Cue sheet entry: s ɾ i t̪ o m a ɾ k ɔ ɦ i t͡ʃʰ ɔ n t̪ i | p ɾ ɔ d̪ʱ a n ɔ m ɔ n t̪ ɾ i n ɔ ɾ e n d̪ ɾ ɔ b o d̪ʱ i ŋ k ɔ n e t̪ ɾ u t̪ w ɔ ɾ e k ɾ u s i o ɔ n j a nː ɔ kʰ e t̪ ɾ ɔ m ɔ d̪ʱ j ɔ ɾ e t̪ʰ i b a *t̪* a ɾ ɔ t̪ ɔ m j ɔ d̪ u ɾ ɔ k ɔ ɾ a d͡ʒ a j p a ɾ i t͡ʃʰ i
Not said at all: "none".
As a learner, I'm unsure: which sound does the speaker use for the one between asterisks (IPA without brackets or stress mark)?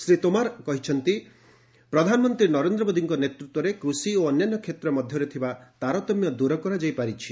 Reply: t̪